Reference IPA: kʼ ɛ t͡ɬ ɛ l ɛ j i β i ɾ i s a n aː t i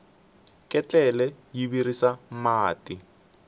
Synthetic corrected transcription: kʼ ɛ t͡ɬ ɛ l ɛ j i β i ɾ i s a m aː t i